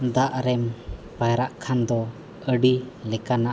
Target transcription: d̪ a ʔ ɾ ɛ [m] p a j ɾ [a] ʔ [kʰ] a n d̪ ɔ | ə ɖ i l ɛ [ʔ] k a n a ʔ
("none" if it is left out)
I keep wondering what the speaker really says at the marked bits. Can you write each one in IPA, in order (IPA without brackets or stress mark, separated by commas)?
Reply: m, a, kʰ, none